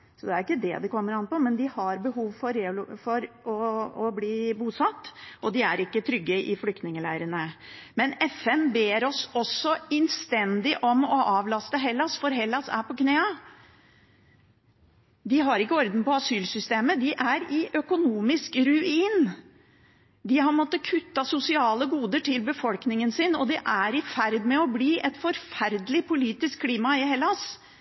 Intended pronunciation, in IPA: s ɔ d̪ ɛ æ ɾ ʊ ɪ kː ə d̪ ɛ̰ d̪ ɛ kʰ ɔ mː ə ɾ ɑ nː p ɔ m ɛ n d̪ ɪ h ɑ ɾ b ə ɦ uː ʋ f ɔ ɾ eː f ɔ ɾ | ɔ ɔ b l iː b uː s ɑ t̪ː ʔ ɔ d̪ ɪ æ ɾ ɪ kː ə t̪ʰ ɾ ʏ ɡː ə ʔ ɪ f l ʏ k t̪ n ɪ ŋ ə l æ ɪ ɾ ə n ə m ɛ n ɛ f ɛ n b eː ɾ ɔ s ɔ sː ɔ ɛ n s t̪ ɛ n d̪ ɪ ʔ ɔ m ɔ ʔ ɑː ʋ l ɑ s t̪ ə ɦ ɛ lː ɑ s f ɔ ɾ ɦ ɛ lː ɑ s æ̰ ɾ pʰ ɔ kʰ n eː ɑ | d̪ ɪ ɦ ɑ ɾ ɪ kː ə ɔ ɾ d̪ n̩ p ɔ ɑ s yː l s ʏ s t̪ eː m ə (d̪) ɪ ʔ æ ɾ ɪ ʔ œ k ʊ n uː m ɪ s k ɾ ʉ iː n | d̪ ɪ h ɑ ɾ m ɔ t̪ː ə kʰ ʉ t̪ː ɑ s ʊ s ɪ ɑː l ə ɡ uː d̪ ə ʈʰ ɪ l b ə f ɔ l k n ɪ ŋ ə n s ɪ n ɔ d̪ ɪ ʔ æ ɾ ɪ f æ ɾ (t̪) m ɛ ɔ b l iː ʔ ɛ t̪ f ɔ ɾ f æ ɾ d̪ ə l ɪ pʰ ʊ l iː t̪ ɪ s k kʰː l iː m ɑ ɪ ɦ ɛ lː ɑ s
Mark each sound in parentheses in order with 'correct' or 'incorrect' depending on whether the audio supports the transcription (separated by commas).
correct, incorrect